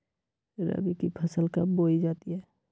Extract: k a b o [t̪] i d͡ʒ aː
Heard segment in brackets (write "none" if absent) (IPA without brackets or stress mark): none